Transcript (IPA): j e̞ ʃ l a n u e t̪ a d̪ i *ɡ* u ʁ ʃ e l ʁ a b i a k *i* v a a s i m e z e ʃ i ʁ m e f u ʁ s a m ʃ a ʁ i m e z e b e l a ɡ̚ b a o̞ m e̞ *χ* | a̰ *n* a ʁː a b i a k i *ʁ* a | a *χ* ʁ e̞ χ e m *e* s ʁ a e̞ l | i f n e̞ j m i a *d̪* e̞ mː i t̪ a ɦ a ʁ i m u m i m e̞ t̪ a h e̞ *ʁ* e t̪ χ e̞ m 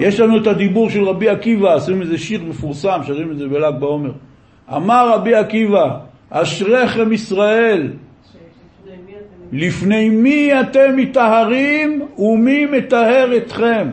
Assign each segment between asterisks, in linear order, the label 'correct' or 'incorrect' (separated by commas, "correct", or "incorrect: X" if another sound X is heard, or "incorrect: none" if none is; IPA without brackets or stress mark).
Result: incorrect: b, correct, incorrect: ʁ, incorrect: m, incorrect: v, incorrect: ʃ, incorrect: i, incorrect: t̪, correct